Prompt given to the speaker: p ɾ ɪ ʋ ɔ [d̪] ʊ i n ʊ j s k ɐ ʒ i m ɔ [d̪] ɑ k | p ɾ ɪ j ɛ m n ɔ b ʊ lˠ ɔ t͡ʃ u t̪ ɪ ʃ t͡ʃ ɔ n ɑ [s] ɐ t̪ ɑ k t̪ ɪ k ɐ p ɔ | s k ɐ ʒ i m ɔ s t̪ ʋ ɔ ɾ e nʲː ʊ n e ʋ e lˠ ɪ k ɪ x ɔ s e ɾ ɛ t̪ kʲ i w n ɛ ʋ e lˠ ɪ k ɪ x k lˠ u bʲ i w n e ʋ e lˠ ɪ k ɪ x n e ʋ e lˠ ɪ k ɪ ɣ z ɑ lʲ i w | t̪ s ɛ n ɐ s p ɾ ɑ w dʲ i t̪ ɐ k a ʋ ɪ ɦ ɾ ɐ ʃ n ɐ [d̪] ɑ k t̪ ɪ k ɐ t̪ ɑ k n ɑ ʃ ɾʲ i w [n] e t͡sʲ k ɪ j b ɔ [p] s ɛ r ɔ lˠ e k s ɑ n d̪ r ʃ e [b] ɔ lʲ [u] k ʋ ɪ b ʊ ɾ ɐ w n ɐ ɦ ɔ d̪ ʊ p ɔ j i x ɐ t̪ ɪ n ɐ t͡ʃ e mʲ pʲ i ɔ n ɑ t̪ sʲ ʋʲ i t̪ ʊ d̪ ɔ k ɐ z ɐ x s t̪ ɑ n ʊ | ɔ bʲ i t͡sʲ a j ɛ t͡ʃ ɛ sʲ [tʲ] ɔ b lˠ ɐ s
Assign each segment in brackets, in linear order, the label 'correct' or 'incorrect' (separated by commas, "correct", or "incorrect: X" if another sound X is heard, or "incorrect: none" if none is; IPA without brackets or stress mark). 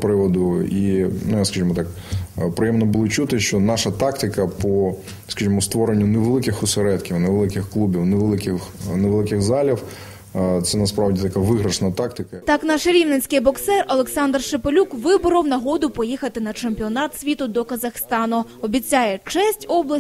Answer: correct, incorrect: t̪, incorrect: ʃ, incorrect: t̪, correct, incorrect: k, incorrect: p, correct, correct